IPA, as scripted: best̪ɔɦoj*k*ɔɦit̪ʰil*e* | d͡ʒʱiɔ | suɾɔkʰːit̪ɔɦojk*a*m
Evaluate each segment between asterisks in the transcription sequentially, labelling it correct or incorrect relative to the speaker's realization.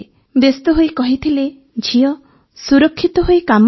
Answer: correct, correct, correct

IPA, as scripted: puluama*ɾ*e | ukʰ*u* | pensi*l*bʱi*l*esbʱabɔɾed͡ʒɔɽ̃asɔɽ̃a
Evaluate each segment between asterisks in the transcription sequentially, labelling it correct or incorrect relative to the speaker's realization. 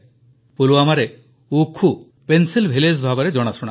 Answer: correct, correct, correct, correct

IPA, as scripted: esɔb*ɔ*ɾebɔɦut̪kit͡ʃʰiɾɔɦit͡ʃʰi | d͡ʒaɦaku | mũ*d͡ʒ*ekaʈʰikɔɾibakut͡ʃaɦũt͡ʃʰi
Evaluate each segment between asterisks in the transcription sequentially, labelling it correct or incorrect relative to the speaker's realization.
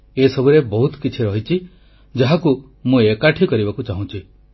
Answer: incorrect, incorrect

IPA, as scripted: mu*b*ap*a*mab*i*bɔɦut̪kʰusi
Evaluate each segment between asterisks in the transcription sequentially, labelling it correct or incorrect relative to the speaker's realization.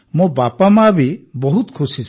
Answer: correct, correct, correct

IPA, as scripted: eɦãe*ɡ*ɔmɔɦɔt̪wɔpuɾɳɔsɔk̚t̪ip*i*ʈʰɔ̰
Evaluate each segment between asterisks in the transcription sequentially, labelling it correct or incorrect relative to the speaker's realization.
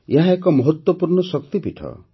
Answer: incorrect, correct

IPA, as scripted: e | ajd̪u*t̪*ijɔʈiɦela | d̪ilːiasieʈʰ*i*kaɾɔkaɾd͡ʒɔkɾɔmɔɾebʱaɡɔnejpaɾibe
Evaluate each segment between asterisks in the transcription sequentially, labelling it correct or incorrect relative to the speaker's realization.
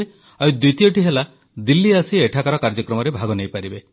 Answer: correct, incorrect

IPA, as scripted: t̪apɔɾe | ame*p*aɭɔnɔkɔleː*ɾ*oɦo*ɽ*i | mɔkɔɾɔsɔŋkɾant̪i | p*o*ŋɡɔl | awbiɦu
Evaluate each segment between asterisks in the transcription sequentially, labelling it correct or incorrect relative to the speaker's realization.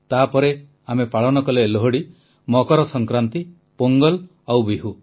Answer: correct, incorrect, correct, correct

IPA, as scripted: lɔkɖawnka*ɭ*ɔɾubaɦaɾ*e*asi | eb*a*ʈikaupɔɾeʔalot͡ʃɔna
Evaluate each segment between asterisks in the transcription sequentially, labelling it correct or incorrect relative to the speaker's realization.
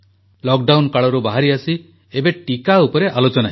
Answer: correct, incorrect, incorrect

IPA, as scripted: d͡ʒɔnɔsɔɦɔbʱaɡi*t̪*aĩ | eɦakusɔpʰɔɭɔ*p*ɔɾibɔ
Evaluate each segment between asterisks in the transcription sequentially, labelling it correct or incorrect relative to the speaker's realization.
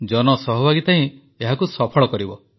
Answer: correct, incorrect

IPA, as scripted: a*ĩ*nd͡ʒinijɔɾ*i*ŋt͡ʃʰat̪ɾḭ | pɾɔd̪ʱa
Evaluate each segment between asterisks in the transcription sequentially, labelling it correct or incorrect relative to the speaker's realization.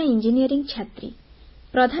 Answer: incorrect, correct

